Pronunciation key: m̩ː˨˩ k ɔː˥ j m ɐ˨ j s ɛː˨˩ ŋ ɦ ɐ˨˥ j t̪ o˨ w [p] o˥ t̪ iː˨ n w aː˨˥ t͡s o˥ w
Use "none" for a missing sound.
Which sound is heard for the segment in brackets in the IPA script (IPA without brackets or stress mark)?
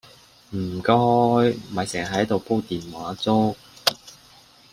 p